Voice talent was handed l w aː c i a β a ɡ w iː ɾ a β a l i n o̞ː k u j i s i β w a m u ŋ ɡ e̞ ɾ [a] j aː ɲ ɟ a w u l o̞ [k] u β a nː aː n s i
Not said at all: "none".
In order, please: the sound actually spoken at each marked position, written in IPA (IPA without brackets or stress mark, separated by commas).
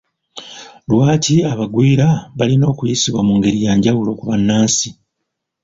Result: i, k